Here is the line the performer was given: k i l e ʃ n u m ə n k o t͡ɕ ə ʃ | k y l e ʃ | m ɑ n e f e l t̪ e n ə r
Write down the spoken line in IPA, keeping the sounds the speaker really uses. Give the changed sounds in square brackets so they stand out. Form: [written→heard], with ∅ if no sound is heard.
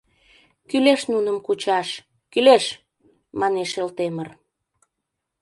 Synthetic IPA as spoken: k [i→y] l e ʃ n u [m→n] ə [n→m] k [o→u] t͡ɕ [ə→ɑ] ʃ | k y l e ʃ | m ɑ n e [f→ʃ] e l t̪ e [n→m] ə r